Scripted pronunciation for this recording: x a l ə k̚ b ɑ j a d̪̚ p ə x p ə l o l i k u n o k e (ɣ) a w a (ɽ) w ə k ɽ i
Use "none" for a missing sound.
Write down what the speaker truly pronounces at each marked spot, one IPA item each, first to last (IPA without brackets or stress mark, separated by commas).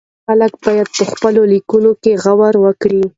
ɣ, ɾ